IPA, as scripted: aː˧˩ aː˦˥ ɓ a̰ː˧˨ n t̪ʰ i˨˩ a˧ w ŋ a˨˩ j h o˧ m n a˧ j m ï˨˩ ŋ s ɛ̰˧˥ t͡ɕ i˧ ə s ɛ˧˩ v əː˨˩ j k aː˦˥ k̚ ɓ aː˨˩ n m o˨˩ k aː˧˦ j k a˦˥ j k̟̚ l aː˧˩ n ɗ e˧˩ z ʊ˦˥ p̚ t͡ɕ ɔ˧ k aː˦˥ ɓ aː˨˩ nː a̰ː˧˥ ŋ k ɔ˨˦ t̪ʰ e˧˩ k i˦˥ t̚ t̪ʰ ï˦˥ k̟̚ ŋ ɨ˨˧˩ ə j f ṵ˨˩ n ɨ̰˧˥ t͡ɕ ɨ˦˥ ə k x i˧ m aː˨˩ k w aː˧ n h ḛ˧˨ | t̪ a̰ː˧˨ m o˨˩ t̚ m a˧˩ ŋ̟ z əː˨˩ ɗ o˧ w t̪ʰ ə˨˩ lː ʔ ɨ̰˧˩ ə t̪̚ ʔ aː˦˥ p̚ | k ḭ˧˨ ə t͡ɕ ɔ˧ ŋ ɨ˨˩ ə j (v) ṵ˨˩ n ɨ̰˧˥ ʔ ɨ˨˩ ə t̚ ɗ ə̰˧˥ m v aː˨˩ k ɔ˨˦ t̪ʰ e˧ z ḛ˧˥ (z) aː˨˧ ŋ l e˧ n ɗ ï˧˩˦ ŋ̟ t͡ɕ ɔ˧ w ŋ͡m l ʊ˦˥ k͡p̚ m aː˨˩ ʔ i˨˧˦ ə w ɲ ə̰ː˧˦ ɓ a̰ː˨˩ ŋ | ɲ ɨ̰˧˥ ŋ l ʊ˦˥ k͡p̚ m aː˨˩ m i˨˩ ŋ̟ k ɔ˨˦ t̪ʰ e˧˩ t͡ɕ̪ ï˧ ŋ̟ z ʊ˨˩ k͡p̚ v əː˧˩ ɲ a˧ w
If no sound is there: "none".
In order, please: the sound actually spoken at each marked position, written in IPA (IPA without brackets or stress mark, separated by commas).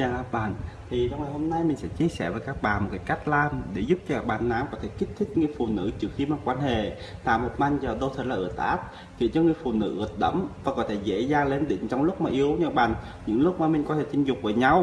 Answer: f, z